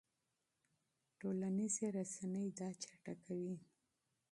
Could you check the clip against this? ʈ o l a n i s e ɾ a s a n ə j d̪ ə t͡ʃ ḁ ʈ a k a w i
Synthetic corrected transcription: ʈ o l a n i z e ɾ a s a n ə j d̪ ɑ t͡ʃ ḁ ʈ a k a w i

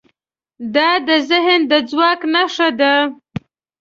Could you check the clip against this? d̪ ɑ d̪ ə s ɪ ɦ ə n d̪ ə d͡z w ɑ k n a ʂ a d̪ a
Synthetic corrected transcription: d̪ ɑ d̪ ə z ɪ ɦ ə n d̪ ə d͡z w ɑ k n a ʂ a d̪ a

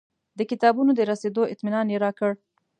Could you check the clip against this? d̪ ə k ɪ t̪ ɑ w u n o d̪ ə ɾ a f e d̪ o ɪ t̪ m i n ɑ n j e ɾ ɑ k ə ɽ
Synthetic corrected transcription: d̪ ə k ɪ t̪ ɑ b u n o d̪ ə ɾ a s e d̪ o ɪ t̪ m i n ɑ n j e ɾ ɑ k ə ɽ

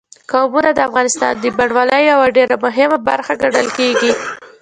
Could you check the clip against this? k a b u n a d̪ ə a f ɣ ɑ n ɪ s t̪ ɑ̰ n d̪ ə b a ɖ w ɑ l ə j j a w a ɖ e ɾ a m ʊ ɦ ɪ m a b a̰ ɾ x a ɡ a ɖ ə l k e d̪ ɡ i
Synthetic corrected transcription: k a b u n a d̪ ə a f ɣ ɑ n ɪ s t̪ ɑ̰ n d̪ ə b a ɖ w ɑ l ə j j a w a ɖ e ɾ a m ʊ ɦ ɪ m a b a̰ ɾ x a ɡ a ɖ ə l k e ɡ i

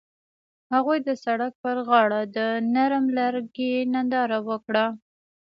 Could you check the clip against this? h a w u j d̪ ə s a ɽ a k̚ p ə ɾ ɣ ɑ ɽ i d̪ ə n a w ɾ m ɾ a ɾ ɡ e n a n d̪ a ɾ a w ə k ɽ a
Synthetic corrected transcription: h a ɣ u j d̪ ə s a ɽ a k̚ p ə ɾ ɣ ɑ ɽ a d̪ ə n a ɾ m l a ɾ ɡ e n a n d̪ ɑ ɾ a w ə k ɽ a

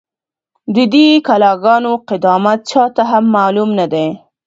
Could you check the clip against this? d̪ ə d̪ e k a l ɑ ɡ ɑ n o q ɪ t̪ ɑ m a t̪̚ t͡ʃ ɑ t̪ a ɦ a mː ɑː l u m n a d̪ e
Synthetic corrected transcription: d̪ ə d̪ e k a l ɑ ɡ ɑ n o q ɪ d̪ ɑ m a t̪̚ t͡ʃ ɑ t̪ a ɦ a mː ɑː l u m n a d̪ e

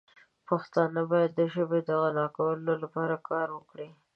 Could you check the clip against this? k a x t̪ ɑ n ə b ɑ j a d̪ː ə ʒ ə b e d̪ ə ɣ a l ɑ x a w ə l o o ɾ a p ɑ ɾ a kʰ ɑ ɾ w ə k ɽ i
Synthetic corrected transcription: p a x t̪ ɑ n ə b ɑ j a d̪ː ə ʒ ə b e d̪ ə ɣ a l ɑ k a w ə l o o l a p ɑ ɾ a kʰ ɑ ɾ w ə k ɽ i

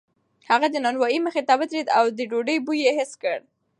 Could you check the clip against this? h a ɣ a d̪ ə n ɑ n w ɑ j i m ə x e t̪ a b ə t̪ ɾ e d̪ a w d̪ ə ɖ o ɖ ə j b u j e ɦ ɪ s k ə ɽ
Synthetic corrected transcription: h a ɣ a d̪ ə n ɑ n w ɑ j i m ə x e t̪ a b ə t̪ ɾ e d̪ a w d̪ ə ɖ o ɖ ə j b u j e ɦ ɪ s k ə ɽ

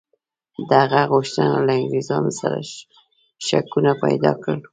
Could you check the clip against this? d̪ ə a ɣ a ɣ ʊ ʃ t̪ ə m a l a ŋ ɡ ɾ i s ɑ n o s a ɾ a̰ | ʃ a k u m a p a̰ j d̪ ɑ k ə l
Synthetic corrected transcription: d̪ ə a ɣ a ɣ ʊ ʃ t̪ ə n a l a ŋ ɡ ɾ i z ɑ n o s a ɾ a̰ | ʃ a k u n a p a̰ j d̪ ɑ k ə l

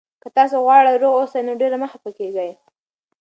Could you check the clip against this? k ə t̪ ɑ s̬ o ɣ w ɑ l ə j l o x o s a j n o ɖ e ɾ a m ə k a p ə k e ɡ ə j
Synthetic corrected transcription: k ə t̪ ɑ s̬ o ɣ w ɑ ɽ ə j ɾ o ɣ o s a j n o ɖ e ɾ a m ə x a p ə k e ɡ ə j

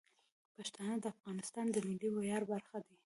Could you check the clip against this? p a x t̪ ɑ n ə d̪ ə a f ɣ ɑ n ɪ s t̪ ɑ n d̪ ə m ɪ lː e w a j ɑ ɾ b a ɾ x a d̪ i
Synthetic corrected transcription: p a ʃ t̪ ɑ n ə d̪ ə a f ɣ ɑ n ɪ s t̪ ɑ n d̪ ə m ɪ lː i w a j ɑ ɾ b a ɾ x a d̪ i

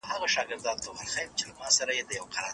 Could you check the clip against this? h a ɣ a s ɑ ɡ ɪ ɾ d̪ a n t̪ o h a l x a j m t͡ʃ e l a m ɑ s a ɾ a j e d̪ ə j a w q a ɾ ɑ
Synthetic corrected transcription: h a ɣ a ʃ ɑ ɡ ɪ ɾ d̪ ɑ n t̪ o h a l x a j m t͡ʃ e l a m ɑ s a ɾ a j e d̪ ə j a w q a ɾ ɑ

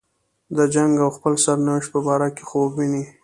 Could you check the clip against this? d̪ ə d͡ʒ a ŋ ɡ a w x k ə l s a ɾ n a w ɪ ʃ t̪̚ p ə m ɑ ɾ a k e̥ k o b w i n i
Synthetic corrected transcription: d̪ ə d͡ʒ a ŋ ɡ a w x p ə l s a ɾ n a w ɪ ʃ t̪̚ p ə b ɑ ɾ a k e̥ x o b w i n i

